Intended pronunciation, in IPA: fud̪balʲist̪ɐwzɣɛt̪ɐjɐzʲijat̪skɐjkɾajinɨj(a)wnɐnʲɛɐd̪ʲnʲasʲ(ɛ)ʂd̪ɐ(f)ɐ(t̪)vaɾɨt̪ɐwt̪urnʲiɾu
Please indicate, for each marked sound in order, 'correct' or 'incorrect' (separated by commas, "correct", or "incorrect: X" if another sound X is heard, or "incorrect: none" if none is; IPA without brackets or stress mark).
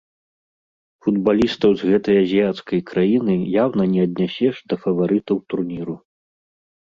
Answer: correct, correct, correct, incorrect: none